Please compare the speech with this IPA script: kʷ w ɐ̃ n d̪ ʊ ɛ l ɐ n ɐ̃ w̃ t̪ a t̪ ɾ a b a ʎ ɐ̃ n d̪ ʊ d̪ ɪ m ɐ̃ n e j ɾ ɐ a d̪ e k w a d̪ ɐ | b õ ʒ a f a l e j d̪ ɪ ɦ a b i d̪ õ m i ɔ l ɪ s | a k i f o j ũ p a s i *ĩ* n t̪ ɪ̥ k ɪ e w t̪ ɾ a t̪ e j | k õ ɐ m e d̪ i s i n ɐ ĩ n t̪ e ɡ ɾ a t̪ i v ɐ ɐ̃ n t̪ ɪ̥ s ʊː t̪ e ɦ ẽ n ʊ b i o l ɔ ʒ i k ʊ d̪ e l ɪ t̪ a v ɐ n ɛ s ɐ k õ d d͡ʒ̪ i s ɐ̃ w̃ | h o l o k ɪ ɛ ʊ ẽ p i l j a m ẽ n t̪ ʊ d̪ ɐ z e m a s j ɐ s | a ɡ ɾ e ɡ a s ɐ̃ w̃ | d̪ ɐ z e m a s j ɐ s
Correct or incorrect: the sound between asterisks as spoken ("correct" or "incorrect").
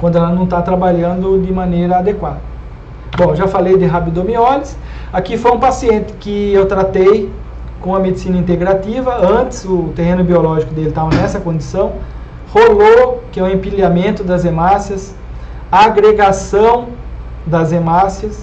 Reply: incorrect